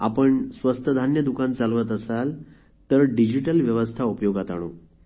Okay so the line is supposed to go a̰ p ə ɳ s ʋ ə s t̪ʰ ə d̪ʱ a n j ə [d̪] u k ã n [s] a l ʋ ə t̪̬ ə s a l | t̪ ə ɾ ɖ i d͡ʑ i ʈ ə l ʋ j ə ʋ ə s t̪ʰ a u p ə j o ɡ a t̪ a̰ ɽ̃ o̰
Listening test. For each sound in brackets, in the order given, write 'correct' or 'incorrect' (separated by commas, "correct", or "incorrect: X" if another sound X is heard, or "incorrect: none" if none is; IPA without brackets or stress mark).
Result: correct, incorrect: t͡s